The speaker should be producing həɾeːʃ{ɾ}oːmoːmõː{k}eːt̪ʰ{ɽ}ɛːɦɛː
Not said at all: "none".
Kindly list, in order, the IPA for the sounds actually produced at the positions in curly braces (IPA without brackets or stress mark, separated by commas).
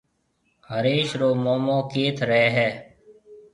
ɾ, k, ɾ